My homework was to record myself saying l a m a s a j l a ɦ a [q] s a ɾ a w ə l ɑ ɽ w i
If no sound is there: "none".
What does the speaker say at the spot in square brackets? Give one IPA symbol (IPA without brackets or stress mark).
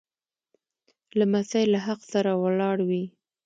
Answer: q